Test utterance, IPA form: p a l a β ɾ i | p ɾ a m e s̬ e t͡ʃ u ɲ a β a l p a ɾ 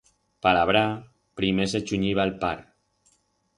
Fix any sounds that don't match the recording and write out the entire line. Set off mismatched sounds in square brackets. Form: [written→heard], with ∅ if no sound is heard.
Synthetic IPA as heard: p a l a β ɾ [i→a] | p ɾ [a→i] m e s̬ e t͡ʃ u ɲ [a→i] β a l p a ɾ